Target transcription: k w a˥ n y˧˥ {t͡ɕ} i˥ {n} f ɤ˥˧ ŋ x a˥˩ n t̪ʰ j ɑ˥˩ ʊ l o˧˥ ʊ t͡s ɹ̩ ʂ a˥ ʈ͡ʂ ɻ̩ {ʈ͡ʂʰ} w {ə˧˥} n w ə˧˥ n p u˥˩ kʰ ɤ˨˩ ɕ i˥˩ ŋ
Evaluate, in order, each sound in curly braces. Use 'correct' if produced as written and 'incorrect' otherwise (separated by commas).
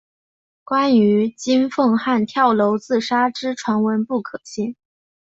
correct, correct, correct, incorrect